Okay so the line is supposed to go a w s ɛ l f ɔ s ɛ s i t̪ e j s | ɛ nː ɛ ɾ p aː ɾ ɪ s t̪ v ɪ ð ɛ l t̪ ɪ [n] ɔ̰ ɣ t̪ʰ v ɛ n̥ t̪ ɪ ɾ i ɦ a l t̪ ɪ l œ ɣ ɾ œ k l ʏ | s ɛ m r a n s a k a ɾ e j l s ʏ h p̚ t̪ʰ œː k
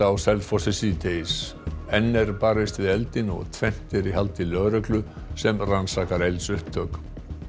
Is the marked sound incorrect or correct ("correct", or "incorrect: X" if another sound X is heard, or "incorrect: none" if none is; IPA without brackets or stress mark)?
correct